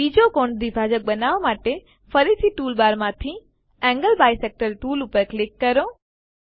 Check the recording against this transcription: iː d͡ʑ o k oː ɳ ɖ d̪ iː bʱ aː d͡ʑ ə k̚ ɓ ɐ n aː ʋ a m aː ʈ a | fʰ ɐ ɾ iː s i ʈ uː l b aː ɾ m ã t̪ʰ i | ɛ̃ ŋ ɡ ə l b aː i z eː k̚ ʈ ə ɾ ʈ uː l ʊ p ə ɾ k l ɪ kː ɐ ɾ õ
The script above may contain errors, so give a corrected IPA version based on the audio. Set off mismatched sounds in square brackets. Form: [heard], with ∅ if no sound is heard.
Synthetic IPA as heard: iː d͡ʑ o k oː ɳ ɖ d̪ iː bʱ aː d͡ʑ ə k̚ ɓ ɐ n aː ʋ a m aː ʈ [e] | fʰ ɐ ɾ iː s i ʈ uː l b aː ɾ m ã t̪ʰ i | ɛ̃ ŋ ɡ ə l b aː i [s] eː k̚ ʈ ə ɾ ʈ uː l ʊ p ə ɾ k l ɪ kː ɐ ɾ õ